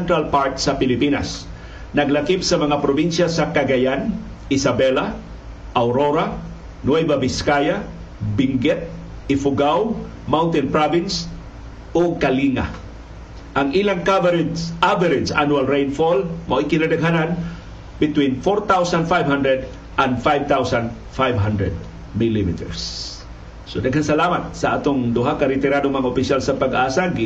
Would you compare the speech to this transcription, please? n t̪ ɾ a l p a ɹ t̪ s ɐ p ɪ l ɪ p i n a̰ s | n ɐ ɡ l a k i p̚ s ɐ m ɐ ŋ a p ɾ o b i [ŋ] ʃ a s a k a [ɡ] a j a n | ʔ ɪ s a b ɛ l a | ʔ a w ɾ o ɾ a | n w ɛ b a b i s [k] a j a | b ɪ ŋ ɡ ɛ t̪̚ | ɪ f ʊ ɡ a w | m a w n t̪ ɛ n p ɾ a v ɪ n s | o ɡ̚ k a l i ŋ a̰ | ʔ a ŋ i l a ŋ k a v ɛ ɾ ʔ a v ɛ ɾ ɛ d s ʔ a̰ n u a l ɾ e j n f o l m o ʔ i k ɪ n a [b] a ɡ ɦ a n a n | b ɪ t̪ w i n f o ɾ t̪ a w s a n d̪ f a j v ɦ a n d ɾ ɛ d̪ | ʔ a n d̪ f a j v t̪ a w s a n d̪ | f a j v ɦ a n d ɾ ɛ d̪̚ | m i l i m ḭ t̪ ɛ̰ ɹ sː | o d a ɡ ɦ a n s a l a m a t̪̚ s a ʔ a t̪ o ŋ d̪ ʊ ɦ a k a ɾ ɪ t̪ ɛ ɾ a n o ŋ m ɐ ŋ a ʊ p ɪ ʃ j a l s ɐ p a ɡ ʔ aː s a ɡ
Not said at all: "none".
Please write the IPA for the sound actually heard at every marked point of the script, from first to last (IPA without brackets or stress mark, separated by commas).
n, ɡ, k, d